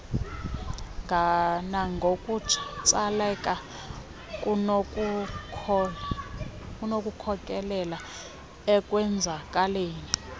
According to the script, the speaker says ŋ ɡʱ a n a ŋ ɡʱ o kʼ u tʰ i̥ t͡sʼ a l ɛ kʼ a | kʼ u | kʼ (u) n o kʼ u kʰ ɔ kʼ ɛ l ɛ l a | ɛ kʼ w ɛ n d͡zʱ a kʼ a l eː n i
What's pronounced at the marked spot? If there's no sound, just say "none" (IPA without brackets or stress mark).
u